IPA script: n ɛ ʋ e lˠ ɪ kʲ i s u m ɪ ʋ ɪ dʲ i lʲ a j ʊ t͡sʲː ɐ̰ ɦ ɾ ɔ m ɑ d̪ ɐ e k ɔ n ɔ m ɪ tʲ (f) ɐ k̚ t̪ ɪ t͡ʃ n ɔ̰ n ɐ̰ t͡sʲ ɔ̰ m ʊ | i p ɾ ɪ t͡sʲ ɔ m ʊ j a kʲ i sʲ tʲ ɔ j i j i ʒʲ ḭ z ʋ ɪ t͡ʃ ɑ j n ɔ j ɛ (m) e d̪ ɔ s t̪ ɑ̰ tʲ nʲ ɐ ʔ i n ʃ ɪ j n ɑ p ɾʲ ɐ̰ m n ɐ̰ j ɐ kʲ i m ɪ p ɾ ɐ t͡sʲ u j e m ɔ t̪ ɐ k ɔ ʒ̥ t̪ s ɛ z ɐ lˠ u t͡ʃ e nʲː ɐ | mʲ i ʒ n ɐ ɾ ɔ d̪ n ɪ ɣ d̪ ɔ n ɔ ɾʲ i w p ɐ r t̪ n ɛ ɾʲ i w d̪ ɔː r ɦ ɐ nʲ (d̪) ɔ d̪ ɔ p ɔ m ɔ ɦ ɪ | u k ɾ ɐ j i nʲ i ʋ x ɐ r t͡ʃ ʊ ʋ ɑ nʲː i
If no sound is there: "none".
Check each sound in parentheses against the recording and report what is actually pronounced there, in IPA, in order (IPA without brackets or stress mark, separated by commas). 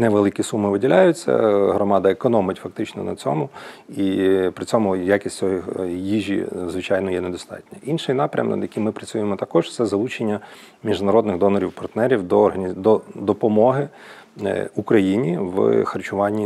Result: f, n, d̪